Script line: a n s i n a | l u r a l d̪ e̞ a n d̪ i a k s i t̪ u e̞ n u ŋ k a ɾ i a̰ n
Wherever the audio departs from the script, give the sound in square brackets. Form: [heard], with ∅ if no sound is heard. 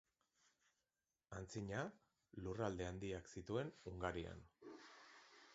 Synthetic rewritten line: a n [t͡s] i [ɲ] a | l u r a l d̪ e̞ a n d̪ i a k s i t̪ u e̞ n u ŋ [ɡ] a ɾ i a̰ n

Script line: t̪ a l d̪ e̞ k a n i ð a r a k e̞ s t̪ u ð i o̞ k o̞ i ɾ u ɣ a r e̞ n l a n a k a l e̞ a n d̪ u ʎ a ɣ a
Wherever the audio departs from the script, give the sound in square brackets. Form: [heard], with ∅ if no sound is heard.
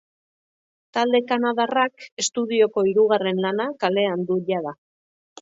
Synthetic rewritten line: t̪ a l d̪ e̞ k a n [a] ð a r a k e̞ s t̪ u ð i o̞ k o̞ i ɾ u ɣ a r e̞ n l a n a k a l e̞ a n d̪ u ʎ a [ð] a

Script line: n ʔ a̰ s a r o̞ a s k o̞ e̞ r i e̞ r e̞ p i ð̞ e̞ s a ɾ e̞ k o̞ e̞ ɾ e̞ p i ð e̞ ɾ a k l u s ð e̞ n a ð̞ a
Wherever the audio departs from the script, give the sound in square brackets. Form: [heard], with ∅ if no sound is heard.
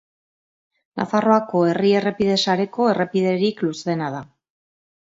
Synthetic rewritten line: n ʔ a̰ [f] a r o̞ a [∅] k o̞ e̞ r i e̞ r e̞ p i ð̞ e̞ s a ɾ e̞ k o̞ e̞ [r] e̞ p i ð e̞ ɾ [i] k l u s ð e̞ n a ð̞ a

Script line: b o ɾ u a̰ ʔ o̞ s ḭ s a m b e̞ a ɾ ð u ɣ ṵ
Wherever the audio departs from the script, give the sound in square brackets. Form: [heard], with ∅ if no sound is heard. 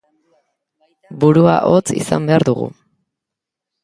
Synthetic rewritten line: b [u] ɾ u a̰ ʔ o̞ [t͡s] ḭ s a m b e̞ a ɾ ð u ɣ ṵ

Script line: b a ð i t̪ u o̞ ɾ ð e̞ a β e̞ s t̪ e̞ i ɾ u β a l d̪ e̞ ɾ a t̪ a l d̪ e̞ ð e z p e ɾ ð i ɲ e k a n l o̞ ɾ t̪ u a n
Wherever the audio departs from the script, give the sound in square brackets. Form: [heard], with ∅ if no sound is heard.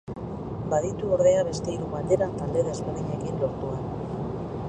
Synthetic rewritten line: b a ð i t̪ u o̞ ɾ ð e̞ a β e̞ s t̪ e̞ i ɾ u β a l d̪ e̞ ɾ a t̪ a l d̪ e̞ ð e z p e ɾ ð i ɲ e k [i] n l o̞ ɾ t̪ u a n

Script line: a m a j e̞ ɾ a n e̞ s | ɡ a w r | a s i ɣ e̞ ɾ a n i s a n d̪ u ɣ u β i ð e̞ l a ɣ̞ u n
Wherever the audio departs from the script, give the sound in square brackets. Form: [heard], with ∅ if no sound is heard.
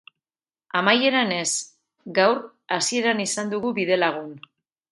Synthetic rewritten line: a m a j e̞ ɾ a n e̞ s | ɡ a w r | a s i [∅] e̞ ɾ a n i s a n d̪ u ɣ u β i ð e̞ l a ɣ̞ u n

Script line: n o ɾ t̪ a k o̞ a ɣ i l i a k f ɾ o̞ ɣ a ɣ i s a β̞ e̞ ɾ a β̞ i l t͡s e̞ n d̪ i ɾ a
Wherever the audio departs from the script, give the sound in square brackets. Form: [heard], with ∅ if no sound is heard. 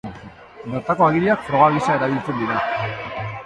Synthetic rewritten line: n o ɾ t̪ a k o̞ a ɣ i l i a k f ɾ o̞ ɣ a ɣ i s a [∅] e̞ ɾ a β̞ i l t͡s e̞ n d̪ i ɾ a

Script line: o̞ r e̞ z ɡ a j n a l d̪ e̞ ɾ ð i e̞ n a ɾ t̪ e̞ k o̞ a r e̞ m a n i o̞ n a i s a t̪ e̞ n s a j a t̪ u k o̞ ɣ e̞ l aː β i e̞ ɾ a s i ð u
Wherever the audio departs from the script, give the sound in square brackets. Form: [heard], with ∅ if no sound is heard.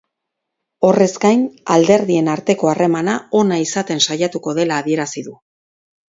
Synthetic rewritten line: o̞ r e̞ z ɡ a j n a l d̪ e̞ ɾ ð i e̞ n a ɾ t̪ e̞ k o̞ a r e̞ m a n [a] o̞ n a i s a t̪ e̞ n s a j a t̪ u k o̞ [ð] e̞ l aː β i e̞ ɾ a s i ð u

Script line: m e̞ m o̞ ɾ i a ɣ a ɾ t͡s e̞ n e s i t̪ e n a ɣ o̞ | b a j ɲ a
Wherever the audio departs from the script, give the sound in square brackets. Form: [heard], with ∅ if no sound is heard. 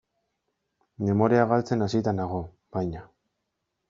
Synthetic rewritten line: m e̞ m o̞ ɾ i a ɣ a [l] t͡s e̞ n [a] s i t̪ [a] n a ɣ o̞ | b a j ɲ a

